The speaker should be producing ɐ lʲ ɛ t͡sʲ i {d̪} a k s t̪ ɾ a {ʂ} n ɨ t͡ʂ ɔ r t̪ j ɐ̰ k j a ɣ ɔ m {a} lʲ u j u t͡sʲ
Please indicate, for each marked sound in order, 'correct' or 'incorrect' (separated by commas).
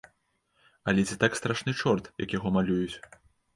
incorrect, correct, correct